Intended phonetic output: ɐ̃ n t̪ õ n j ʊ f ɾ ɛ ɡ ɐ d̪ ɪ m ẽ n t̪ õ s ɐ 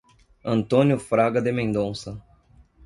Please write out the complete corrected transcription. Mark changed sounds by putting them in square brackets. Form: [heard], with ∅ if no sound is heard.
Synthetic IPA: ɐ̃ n t̪ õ n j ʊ f ɾ [a] ɡ ɐ d̪ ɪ m ẽ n [d̪] õ s ɐ